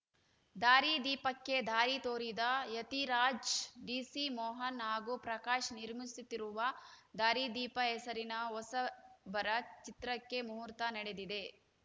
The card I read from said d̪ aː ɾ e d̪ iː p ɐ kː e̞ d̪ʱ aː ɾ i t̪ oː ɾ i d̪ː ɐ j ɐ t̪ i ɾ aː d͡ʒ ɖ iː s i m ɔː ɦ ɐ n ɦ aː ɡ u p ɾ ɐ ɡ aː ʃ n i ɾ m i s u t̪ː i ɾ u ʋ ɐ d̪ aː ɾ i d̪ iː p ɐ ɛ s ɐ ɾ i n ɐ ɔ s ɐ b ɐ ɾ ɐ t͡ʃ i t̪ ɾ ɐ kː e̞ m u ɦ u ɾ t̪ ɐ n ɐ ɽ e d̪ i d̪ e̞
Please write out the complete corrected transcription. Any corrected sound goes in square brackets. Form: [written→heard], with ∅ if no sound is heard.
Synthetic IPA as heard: d̪ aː ɾ [e→i] d̪ iː p ɐ kː e̞ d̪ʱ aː ɾ i t̪ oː ɾ i [d̪ː→d̪] ɐ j ɐ t̪ i ɾ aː d͡ʒ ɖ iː s i m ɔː ɦ ɐ n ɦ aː ɡ u p ɾ ɐ [ɡ→k] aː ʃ n i ɾ m i s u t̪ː i ɾ u ʋ ɐ d̪ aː ɾ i d̪ iː p ɐ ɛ s ɐ ɾ i n ɐ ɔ s ɐ b ɐ ɾ ɐ t͡ʃ i t̪ ɾ ɐ kː e̞ m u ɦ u ɾ t̪ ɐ n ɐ ɽ e d̪ i d̪ e̞